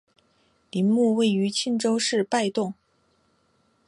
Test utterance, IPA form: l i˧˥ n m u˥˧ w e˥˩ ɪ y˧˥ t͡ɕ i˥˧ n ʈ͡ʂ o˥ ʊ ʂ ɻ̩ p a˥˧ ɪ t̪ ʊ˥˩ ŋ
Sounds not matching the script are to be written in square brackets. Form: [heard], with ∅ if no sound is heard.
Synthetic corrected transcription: l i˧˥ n m u˥˧ w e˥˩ ɪ y˧˥ [t͡ɕʰ] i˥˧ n ʈ͡ʂ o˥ ʊ ʂ ɻ̩ p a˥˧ ɪ t̪ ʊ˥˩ ŋ

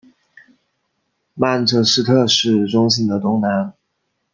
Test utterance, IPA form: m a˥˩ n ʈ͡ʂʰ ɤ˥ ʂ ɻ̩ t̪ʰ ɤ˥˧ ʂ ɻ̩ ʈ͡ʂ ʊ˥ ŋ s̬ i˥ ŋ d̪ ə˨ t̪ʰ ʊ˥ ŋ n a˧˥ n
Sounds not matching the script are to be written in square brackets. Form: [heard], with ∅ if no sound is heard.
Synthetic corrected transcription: m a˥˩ n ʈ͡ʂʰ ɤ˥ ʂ ɻ̩ t̪ʰ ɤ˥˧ ʂ ɻ̩ ʈ͡ʂ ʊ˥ ŋ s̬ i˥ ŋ d̪ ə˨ [t̪] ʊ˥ ŋ n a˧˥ n

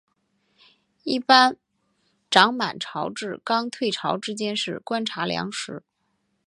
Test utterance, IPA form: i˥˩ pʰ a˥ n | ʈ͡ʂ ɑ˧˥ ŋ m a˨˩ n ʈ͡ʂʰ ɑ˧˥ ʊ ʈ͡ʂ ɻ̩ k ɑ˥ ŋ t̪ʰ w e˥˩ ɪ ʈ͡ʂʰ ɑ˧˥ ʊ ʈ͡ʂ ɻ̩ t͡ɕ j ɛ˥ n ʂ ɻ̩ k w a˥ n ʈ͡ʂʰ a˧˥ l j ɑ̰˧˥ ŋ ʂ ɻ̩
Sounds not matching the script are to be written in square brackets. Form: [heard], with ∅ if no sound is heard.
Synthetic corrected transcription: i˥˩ [p] a˥ n | ʈ͡ʂ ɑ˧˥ ŋ m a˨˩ n ʈ͡ʂʰ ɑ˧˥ ʊ ʈ͡ʂ ɻ̩ k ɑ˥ ŋ t̪ʰ w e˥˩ ɪ ʈ͡ʂʰ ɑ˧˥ ʊ ʈ͡ʂ ɻ̩ t͡ɕ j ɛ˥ n ʂ ɻ̩ k w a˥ n ʈ͡ʂʰ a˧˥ l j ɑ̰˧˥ ŋ ʂ ɻ̩

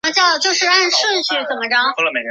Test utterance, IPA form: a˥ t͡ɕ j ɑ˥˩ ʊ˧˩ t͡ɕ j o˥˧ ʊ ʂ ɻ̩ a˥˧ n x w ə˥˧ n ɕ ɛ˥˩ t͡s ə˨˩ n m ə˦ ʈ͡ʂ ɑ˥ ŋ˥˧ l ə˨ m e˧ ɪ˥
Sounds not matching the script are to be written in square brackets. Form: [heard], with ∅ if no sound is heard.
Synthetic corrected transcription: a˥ t͡ɕ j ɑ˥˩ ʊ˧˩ t͡ɕ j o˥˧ ʊ ʂ ɻ̩ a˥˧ n [ʂ] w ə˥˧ n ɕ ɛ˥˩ t͡s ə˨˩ n m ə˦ ʈ͡ʂ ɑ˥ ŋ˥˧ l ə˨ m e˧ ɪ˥

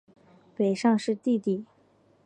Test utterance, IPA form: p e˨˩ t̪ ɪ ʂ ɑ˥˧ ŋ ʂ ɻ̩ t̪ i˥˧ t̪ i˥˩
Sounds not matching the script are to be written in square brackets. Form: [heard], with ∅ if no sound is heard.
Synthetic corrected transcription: p e˨˩ [∅] ɪ ʂ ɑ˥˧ ŋ ʂ ɻ̩ t̪ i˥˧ t̪ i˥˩

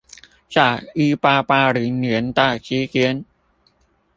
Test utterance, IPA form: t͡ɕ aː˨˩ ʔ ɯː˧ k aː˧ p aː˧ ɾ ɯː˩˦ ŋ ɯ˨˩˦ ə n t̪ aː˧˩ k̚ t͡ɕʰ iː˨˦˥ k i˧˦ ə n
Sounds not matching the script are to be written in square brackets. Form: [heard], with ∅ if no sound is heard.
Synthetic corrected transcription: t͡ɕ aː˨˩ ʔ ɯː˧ [p] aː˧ p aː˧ ɾ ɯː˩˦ [n] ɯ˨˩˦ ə n t̪ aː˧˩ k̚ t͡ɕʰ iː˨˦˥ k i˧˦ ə n

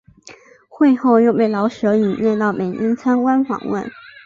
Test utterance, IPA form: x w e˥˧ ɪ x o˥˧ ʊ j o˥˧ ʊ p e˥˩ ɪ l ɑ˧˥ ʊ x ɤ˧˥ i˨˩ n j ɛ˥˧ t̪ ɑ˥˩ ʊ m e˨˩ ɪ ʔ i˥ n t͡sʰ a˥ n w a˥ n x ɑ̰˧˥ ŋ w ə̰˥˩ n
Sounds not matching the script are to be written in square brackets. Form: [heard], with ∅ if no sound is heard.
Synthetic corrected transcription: x w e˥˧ ɪ x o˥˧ ʊ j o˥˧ ʊ p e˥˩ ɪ l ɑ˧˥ ʊ [ʂ] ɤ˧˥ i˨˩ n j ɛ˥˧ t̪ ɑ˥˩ ʊ m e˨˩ ɪ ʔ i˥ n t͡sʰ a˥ n w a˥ n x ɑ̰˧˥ ŋ w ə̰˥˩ n

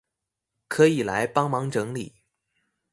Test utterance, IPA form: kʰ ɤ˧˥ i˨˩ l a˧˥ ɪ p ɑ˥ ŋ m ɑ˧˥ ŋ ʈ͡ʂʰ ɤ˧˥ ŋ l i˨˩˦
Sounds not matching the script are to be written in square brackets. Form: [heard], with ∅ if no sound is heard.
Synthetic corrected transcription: kʰ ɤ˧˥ i˨˩ l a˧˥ ɪ p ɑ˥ ŋ m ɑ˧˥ ŋ [ʈ͡ʂ] ɤ˧˥ ŋ l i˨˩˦

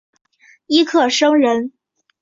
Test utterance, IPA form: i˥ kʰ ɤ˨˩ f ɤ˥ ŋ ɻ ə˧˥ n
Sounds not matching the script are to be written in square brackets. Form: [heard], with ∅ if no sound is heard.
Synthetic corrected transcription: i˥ kʰ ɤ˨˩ [ʂ] ɤ˥ ŋ ɻ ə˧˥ n

